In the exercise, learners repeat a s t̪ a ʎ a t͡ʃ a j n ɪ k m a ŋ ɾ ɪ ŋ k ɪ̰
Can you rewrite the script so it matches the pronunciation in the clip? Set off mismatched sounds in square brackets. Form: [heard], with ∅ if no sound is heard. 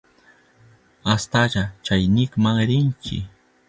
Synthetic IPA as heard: a s t̪ a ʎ a t͡ʃ a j n ɪ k m a ŋ ɾ ɪ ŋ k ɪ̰